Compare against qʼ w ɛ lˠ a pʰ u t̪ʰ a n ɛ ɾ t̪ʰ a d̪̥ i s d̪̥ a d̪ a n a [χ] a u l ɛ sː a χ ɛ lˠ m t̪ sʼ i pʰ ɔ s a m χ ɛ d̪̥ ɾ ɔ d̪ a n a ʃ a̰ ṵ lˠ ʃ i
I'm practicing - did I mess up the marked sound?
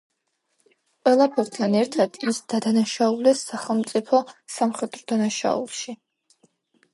yes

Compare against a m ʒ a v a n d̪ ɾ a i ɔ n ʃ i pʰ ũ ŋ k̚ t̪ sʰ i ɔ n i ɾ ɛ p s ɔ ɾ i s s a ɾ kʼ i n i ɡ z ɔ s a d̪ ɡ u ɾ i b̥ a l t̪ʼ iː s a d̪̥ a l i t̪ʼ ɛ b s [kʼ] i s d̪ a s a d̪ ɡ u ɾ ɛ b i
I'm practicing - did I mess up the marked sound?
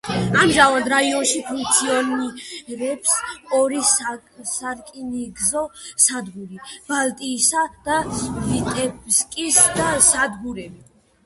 no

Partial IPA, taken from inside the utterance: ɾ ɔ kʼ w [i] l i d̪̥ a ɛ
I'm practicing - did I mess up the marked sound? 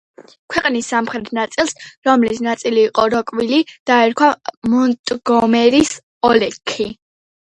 no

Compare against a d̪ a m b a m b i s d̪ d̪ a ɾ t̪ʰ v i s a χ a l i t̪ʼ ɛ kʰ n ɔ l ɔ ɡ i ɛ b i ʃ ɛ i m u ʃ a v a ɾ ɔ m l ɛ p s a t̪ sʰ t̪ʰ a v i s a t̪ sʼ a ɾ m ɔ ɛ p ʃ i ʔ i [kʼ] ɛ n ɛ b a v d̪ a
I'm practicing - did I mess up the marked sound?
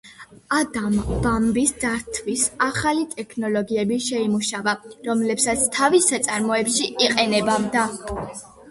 yes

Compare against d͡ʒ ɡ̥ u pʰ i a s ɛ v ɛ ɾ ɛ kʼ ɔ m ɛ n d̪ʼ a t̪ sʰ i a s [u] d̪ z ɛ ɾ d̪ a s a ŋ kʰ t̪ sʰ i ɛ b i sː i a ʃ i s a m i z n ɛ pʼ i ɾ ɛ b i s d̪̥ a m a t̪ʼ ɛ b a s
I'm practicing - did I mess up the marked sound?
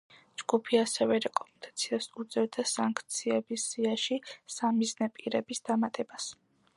no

